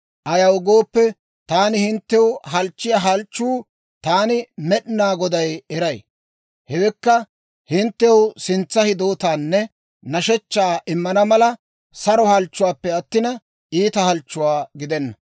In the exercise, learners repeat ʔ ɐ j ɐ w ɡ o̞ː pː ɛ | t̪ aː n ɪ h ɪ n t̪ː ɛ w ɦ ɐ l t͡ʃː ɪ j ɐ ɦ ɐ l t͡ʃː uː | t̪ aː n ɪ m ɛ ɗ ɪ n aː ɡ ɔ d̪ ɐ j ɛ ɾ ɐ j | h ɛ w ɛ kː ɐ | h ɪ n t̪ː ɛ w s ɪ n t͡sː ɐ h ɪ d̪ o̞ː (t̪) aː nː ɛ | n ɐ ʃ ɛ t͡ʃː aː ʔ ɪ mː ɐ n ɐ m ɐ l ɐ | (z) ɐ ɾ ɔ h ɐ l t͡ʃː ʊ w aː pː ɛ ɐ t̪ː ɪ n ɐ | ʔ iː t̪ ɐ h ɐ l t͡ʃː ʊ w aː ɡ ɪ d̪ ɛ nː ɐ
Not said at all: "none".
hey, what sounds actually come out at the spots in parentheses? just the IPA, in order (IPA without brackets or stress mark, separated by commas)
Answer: t̪, s